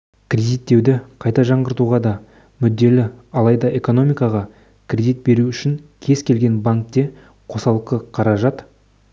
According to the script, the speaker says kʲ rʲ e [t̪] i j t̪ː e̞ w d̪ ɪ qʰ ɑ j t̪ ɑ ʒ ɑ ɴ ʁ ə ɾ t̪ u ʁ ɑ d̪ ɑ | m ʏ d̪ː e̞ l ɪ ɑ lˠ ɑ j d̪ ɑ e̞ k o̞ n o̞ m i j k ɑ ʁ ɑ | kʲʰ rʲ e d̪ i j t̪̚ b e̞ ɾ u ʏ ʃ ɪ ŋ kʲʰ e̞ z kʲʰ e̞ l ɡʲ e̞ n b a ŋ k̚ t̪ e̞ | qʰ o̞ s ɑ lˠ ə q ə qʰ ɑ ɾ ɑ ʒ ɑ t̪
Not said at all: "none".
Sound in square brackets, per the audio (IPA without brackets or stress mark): d̪